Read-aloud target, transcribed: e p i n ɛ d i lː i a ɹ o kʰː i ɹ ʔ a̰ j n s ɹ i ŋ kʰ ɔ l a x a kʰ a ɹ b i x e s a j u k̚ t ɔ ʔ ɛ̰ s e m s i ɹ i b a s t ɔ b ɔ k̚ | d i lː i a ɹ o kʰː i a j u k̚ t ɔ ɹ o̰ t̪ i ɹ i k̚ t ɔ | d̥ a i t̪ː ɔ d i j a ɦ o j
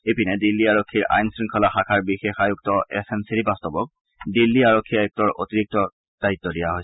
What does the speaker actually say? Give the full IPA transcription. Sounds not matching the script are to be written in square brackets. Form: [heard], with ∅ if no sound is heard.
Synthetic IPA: e p i n ɛ d i lː i a ɹ o kʰː i ɹ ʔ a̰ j n s ɹ i ŋ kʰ ɔ l a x a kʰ a ɹ b i x e [x] a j u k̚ t ɔ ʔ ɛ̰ s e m s i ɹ i b a s t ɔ b ɔ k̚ | d i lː i a ɹ o kʰː i a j u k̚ t ɔ ɹ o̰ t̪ i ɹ i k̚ t ɔ | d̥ a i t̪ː ɔ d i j a ɦ o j